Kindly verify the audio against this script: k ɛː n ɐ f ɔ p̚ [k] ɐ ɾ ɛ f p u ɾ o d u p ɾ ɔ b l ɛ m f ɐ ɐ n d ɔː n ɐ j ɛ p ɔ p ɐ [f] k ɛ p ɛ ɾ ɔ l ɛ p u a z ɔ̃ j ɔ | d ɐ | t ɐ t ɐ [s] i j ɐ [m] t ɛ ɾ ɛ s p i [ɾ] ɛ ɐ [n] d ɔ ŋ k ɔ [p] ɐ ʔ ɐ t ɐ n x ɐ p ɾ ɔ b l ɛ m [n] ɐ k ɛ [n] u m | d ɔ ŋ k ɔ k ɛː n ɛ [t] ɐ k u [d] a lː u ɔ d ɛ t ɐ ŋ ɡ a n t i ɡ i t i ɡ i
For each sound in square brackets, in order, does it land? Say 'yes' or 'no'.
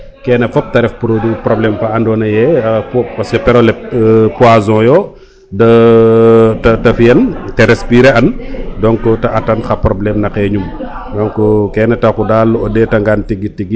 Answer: no, no, no, no, yes, yes, no, yes, no, yes, yes

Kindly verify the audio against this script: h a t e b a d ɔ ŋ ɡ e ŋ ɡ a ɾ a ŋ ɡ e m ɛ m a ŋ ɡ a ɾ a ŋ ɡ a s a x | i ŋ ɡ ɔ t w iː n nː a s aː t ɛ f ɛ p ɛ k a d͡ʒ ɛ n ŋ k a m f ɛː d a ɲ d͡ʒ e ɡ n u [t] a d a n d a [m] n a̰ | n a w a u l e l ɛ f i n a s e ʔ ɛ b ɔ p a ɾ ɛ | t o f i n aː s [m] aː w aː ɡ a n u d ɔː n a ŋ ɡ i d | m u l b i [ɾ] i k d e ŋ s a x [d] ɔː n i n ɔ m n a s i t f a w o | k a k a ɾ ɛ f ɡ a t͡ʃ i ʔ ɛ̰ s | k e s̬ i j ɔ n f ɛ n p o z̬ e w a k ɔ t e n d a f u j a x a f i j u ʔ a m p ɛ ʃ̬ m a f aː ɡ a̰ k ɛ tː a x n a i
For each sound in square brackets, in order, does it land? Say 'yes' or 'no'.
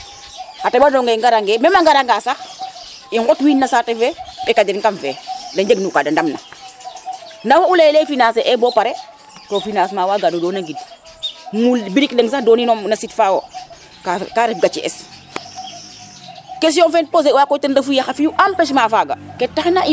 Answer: no, yes, yes, yes, yes

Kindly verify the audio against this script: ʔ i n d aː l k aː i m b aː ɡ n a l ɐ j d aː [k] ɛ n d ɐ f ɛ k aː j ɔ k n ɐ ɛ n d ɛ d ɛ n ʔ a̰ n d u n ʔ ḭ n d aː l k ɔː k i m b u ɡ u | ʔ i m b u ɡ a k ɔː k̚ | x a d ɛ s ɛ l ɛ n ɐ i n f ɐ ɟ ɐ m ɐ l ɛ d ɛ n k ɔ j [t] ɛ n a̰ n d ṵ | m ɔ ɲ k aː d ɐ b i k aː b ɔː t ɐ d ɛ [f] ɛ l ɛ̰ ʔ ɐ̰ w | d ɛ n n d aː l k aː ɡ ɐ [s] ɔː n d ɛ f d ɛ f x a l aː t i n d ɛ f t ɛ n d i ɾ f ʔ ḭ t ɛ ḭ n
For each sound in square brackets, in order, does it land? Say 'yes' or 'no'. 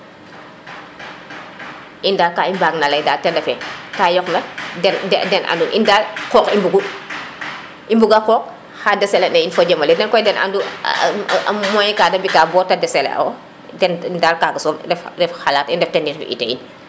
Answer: no, no, no, yes

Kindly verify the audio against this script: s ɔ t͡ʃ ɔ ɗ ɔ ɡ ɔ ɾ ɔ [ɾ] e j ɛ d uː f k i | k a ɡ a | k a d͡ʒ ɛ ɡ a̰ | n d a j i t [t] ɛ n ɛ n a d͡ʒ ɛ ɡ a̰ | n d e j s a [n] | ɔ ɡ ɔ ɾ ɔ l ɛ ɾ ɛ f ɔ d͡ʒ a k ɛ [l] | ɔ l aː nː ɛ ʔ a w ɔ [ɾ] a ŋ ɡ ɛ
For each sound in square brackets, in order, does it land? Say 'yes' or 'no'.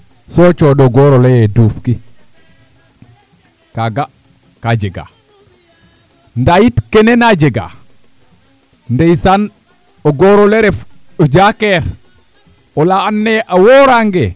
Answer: no, no, yes, no, yes

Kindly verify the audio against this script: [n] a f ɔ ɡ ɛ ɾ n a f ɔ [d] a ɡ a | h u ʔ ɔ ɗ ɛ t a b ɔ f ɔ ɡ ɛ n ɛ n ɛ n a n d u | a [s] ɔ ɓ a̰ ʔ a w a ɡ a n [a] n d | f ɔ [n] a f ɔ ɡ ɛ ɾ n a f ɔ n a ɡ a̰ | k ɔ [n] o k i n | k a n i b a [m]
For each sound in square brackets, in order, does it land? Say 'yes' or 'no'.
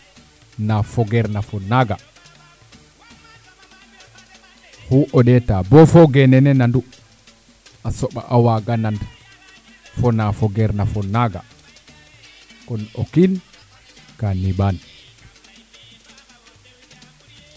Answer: yes, no, yes, yes, yes, yes, no

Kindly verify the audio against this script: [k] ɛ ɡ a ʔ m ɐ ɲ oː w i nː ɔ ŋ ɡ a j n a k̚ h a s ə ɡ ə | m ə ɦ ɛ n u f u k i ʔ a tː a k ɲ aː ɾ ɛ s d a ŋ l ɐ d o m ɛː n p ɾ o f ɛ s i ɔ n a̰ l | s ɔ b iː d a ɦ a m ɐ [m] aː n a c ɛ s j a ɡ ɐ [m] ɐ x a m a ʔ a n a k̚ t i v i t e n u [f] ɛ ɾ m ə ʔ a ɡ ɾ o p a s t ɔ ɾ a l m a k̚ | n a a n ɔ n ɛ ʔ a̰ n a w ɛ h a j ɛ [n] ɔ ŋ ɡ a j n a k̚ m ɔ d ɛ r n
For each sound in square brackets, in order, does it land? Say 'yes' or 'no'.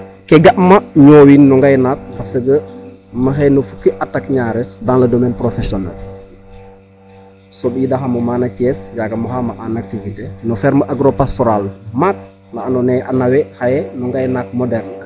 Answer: yes, yes, yes, yes, yes

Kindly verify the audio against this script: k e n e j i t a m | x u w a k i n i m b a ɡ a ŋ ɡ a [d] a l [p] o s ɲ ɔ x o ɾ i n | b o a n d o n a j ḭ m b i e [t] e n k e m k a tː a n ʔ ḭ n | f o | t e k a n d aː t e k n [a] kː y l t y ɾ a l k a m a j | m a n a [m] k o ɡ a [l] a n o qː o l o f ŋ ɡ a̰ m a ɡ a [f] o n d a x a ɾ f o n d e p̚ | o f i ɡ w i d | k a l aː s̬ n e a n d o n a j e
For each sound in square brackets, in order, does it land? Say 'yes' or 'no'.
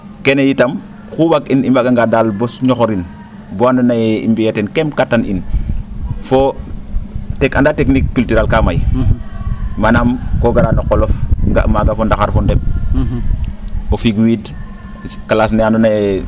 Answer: yes, no, yes, no, yes, no, yes

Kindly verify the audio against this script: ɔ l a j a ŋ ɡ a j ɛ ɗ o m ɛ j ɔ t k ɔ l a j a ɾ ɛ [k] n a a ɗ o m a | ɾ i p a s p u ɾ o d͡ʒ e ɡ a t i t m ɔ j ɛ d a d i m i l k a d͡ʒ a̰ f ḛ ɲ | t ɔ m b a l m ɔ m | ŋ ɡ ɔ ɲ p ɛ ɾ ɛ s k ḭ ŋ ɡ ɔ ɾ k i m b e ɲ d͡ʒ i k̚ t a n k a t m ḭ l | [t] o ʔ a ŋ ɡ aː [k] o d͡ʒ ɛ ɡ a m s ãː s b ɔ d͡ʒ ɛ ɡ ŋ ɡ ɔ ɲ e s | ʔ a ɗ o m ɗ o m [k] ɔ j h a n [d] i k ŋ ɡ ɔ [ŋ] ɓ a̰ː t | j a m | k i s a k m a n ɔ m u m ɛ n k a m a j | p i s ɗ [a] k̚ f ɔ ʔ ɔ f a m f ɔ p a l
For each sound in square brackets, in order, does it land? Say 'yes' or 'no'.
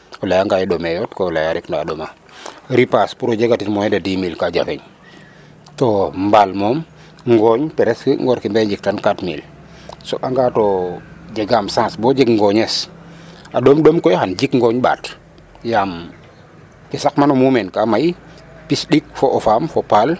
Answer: yes, no, no, yes, no, no, no

